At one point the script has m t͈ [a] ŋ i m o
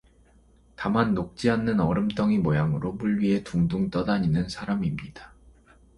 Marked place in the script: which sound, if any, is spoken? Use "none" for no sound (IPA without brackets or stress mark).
ʌ